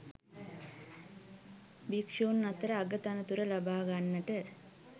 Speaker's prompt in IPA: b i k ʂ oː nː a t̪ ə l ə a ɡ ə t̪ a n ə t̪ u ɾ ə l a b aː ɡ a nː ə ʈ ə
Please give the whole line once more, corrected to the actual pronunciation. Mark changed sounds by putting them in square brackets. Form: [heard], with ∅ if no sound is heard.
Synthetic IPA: b i k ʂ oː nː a t̪ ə [ɾ] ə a ɡ ə t̪ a n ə t̪ u ɾ ə l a b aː ɡ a nː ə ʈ ə